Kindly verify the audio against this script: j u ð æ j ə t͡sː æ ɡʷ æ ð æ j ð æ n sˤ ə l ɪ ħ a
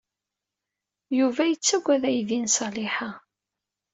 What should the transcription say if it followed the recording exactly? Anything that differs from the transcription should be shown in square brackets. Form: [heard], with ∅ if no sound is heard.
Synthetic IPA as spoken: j u [v] æ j ə t͡sː æ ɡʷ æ ð æ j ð [i] n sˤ [ɑ] l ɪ ħ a